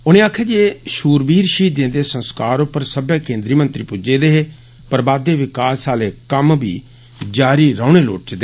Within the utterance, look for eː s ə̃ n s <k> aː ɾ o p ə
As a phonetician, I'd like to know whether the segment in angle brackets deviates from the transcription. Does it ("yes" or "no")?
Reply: no